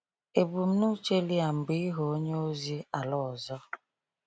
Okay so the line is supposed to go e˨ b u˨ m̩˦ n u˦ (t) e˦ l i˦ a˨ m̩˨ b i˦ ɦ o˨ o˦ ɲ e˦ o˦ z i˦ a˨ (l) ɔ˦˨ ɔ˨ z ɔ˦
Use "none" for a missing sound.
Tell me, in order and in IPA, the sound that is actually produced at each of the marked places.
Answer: t͡ʃ, l

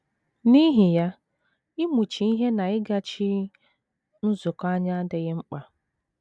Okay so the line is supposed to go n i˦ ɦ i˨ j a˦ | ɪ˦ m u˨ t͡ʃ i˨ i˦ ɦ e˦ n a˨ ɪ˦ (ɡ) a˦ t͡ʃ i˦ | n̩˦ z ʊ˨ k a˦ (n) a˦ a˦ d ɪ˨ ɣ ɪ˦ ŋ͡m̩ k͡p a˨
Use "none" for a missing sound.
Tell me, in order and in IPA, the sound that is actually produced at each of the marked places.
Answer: ɡ, ɲ

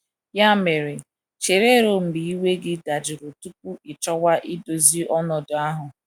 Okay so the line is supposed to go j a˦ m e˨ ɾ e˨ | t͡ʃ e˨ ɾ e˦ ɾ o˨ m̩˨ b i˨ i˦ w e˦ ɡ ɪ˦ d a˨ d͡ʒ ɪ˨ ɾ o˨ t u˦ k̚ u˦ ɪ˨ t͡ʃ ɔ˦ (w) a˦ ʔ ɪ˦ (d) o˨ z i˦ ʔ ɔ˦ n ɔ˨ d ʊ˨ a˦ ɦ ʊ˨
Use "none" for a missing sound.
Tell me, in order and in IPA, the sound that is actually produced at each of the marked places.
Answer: w, d

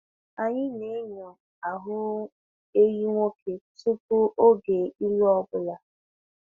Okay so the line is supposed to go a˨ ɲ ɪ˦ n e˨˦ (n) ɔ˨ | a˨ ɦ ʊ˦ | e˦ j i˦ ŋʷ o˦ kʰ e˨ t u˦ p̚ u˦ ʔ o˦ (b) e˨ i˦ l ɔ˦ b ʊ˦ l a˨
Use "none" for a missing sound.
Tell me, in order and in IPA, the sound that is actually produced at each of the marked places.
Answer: ɲ, ɡ

